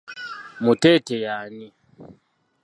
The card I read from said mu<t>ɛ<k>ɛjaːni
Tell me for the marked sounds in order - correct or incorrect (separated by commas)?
correct, incorrect